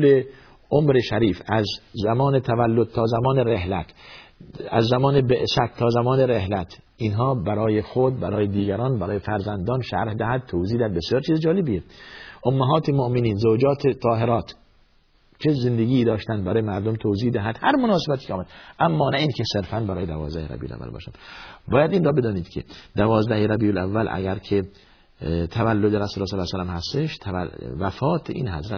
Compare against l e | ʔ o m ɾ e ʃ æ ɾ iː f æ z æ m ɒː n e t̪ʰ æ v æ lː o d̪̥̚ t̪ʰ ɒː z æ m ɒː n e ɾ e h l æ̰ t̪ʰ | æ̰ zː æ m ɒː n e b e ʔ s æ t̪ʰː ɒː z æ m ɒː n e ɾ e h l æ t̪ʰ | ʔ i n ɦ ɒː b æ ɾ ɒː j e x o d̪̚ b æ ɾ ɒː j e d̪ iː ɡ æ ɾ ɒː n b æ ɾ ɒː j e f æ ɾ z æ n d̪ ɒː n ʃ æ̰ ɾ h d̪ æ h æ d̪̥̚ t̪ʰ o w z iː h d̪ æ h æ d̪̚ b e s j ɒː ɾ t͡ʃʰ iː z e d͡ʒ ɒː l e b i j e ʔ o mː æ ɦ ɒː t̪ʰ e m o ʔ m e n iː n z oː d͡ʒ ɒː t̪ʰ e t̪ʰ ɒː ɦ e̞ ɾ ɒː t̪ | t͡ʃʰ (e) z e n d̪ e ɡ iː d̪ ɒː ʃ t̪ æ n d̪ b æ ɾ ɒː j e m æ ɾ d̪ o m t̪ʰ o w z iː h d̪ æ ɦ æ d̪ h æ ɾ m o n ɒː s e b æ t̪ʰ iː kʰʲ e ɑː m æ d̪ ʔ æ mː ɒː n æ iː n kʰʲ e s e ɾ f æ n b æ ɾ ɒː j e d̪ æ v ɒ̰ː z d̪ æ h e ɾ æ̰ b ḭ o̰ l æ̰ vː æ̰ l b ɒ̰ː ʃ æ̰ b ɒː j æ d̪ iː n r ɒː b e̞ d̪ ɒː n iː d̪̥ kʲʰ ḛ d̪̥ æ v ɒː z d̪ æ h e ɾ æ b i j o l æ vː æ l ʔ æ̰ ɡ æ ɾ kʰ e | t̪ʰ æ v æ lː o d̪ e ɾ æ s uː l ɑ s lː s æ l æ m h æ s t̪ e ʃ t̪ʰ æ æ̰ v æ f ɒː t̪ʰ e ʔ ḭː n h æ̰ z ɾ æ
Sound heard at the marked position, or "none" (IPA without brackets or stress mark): e